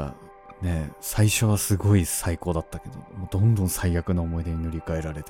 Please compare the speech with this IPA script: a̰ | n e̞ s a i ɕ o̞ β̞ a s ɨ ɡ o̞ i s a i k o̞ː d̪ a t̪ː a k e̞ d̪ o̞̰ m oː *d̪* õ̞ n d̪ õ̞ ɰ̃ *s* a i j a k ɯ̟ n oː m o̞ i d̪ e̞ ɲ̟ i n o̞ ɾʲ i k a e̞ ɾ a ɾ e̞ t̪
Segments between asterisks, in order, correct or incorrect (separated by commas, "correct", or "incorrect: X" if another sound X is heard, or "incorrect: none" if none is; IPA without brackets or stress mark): correct, correct